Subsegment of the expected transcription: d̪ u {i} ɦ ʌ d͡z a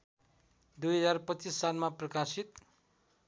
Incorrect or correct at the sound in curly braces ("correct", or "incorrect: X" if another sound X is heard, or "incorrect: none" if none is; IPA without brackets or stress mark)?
incorrect: j